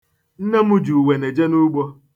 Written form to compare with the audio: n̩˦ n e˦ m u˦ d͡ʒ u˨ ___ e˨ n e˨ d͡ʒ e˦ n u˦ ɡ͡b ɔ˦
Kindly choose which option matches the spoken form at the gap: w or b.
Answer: w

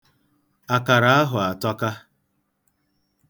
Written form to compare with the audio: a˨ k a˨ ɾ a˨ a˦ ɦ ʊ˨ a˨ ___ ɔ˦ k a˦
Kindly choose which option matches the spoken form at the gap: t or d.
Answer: t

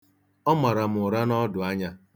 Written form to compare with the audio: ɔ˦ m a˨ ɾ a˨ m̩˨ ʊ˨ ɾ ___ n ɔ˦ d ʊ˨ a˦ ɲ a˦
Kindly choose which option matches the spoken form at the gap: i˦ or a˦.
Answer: a˦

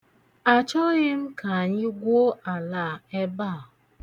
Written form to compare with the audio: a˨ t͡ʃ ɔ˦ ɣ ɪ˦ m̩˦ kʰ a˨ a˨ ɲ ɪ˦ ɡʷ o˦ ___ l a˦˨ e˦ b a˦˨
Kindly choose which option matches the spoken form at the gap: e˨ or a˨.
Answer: a˨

